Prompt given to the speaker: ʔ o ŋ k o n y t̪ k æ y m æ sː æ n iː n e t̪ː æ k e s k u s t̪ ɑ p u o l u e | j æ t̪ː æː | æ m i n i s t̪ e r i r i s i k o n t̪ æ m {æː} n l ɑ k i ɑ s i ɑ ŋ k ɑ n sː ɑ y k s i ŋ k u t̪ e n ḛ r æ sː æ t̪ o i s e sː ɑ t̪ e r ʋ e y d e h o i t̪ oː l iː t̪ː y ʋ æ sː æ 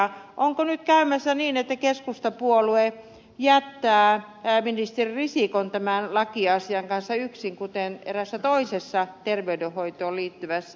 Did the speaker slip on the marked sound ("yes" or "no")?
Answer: yes